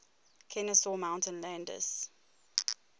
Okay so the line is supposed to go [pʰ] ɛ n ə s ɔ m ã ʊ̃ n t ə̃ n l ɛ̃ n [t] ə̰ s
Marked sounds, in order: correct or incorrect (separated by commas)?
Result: incorrect, incorrect